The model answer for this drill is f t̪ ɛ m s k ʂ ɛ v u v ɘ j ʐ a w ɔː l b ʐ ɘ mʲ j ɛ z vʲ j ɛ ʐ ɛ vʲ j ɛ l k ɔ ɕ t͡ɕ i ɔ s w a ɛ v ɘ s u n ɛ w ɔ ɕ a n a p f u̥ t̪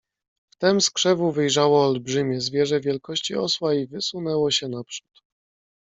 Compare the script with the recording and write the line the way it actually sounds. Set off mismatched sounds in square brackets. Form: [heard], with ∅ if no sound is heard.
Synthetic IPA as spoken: f t̪ ɛ m s k ʂ ɛ v u v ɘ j ʐ a w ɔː l b ʐ ɘ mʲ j ɛ z vʲ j ɛ ʐ ɛ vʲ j ɛ l k ɔ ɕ t͡ɕ i ɔ s w a [i] v ɘ s u n ɛ w ɔ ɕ [ɛ] n a p [ʂ] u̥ t̪